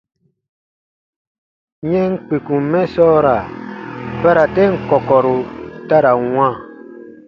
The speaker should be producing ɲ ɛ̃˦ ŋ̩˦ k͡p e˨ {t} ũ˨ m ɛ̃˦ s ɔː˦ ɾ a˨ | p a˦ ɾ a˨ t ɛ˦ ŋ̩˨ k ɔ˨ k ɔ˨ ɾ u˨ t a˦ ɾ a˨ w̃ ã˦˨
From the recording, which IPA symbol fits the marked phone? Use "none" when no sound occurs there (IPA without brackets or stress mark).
k